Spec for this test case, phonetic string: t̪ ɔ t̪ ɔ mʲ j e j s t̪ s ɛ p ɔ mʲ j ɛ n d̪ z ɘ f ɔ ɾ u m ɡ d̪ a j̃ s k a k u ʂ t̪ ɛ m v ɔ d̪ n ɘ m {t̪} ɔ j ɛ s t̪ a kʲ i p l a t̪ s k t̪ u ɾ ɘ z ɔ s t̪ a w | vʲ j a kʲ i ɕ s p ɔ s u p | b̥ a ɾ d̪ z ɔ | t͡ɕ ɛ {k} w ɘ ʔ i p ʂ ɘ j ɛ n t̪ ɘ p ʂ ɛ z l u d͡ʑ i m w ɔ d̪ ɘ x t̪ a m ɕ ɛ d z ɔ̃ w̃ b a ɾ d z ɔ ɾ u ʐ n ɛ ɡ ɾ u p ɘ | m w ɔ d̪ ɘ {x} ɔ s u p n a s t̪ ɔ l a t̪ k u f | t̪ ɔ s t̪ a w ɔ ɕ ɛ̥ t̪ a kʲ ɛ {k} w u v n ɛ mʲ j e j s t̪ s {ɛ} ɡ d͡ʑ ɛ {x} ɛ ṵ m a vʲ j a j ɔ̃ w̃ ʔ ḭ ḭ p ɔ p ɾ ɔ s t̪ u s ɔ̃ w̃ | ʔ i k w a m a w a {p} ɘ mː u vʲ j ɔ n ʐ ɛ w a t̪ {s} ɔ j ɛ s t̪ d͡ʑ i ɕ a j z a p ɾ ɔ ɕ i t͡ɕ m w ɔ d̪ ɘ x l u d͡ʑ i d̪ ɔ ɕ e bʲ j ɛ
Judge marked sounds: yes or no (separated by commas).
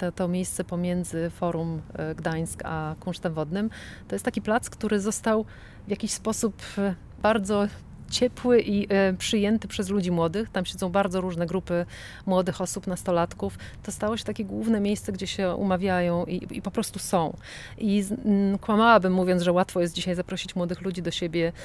yes, no, yes, no, yes, no, no, no